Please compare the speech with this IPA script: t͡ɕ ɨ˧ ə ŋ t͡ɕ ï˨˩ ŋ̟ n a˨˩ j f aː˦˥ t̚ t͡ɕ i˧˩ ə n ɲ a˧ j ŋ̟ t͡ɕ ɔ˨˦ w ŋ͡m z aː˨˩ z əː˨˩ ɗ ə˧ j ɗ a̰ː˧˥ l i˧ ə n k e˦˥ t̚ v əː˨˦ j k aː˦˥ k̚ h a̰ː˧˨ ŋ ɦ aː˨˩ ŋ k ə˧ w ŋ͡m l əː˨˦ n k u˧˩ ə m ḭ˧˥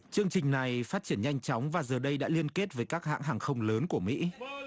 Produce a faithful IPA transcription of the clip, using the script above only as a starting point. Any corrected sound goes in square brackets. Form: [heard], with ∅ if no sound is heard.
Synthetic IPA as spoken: t͡ɕ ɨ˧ ə ŋ t͡ɕ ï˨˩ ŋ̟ n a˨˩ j f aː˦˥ t̚ t͡ɕ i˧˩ ə n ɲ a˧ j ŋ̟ t͡ɕ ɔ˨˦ w ŋ͡m [v] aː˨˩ z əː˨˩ ɗ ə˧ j ɗ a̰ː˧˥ l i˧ ə n k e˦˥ t̚ v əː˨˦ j k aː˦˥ k̚ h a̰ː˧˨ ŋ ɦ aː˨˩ ŋ [x] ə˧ w ŋ͡m l əː˨˦ n k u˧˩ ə m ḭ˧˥